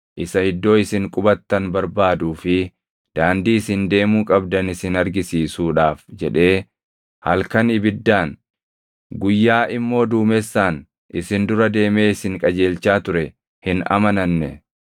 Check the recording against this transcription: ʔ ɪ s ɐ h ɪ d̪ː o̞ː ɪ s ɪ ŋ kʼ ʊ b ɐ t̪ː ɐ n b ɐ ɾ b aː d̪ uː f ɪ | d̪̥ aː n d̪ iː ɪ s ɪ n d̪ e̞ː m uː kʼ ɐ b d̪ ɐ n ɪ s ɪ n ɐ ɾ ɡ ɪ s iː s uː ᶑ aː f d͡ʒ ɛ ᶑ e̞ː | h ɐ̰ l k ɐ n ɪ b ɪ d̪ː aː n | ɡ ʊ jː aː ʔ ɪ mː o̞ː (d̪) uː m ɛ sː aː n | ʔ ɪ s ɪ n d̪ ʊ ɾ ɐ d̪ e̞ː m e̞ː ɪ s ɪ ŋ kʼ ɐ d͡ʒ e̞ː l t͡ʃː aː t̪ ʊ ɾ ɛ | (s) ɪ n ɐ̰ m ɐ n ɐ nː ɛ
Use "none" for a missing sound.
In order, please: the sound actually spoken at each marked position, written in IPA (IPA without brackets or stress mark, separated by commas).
d̪, h